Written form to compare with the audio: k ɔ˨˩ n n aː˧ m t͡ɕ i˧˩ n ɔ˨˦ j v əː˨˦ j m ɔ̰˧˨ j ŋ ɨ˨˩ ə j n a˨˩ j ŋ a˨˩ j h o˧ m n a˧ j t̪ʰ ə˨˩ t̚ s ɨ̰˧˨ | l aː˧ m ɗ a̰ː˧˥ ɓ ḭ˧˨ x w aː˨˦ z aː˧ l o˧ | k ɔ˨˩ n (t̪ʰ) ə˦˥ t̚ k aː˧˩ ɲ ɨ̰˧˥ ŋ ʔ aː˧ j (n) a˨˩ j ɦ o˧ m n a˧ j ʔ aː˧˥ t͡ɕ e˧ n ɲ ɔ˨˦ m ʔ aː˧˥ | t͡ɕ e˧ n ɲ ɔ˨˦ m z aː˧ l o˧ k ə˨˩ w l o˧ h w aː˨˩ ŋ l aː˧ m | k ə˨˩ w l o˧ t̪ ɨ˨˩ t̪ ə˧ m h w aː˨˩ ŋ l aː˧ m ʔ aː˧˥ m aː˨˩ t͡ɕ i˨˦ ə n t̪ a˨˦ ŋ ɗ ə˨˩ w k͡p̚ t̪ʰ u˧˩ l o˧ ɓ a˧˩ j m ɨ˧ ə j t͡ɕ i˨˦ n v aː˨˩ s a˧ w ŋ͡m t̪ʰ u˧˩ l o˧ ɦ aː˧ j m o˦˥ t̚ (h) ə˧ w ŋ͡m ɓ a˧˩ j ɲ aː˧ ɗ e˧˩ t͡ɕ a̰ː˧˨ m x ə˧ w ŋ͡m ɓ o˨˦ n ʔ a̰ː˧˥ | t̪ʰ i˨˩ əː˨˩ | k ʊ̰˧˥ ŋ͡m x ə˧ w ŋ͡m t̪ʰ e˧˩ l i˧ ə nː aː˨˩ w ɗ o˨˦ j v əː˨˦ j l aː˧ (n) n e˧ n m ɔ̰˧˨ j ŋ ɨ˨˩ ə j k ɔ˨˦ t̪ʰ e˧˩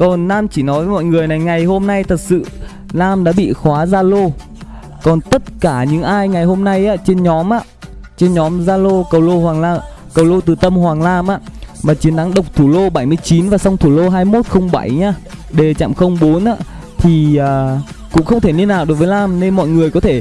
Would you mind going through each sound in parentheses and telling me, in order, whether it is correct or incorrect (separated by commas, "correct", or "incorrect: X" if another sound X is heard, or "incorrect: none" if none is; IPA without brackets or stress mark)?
incorrect: t̪, incorrect: ŋ, incorrect: x, incorrect: m